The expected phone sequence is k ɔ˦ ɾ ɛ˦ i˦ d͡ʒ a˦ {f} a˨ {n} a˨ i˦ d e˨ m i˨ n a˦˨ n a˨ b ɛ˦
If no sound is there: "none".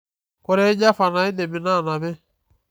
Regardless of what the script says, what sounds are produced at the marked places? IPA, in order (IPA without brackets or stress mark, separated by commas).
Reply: f, n